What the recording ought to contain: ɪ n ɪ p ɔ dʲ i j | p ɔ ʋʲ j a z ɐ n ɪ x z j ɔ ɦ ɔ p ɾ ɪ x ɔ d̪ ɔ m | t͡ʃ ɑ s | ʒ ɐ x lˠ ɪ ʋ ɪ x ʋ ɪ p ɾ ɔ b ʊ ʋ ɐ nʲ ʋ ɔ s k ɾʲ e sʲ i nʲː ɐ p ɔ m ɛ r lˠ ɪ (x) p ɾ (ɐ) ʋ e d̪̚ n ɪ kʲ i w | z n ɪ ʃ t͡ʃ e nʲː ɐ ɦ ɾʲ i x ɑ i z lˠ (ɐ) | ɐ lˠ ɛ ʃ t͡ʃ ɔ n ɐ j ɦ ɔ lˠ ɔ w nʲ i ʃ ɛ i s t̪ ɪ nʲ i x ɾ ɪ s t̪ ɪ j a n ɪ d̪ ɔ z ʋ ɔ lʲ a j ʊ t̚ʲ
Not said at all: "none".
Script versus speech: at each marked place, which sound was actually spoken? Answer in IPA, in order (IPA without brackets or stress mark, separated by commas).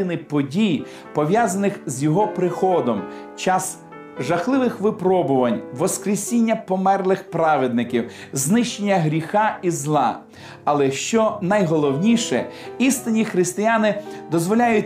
x, ɑ, ɑ